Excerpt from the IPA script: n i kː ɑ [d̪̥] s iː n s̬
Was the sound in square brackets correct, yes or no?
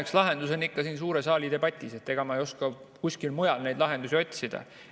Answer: no